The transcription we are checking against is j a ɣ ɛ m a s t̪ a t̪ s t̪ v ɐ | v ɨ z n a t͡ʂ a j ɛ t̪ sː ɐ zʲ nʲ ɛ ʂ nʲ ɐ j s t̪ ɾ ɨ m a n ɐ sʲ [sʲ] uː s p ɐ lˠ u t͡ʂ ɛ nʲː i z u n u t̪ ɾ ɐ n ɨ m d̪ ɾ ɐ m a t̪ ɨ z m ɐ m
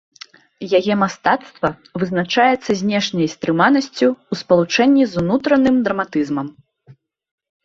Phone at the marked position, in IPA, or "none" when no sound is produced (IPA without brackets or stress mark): t͡sʲ